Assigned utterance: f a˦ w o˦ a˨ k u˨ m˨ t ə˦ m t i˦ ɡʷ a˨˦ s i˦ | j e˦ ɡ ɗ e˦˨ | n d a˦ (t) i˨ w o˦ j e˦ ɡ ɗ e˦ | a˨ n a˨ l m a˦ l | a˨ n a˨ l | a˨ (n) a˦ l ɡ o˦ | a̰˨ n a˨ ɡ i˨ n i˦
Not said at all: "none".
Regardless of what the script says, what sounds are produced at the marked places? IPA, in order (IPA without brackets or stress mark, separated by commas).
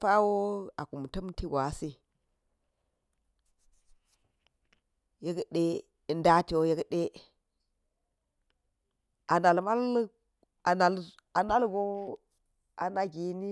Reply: t, n